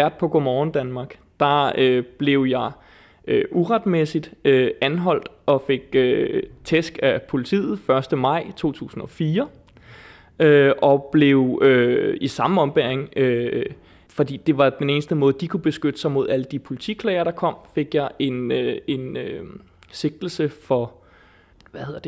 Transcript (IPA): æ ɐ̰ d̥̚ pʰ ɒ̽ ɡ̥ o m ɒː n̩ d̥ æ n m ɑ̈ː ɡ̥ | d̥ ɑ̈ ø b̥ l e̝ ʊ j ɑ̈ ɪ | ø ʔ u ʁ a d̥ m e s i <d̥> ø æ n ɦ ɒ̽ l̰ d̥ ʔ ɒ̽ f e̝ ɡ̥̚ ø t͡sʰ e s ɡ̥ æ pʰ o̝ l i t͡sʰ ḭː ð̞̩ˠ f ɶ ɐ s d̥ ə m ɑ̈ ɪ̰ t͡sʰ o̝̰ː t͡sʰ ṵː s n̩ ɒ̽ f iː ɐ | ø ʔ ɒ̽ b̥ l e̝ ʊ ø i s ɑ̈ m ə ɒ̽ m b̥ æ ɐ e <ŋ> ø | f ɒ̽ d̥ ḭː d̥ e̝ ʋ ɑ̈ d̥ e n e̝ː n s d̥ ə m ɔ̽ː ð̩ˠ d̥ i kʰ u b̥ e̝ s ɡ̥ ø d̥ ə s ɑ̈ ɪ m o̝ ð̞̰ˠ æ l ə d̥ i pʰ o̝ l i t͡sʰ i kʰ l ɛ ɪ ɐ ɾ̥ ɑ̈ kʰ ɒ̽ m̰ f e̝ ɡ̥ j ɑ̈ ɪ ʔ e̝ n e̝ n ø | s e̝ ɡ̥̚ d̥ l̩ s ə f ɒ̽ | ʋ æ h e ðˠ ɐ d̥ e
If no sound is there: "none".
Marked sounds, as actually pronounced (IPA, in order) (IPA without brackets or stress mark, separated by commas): d̥, ŋ